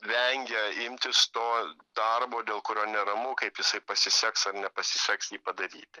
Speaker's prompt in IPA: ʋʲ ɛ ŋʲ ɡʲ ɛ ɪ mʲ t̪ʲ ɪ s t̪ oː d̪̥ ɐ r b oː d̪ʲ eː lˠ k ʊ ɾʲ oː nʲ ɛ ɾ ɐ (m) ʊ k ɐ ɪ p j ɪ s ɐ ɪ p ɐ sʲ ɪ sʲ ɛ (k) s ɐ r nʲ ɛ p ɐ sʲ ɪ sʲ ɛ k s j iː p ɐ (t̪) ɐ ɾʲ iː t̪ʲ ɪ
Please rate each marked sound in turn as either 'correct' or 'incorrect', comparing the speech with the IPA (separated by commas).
correct, correct, incorrect